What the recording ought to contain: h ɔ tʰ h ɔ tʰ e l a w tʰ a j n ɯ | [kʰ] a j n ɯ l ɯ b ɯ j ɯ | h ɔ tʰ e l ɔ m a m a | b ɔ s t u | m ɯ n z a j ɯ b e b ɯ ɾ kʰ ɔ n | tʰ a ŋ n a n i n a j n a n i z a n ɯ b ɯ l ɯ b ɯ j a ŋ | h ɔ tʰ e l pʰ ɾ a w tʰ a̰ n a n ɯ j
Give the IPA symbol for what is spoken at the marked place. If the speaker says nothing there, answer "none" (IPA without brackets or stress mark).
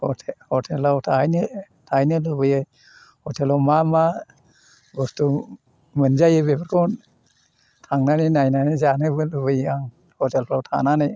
tʰ